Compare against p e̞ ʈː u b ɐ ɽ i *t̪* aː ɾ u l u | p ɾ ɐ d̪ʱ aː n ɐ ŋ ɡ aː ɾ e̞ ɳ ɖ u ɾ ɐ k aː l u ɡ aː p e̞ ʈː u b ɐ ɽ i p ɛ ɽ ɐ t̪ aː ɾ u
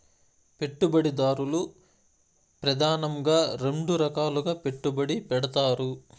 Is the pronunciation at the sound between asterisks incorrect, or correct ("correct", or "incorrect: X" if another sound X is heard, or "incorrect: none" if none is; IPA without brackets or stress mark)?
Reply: incorrect: d̪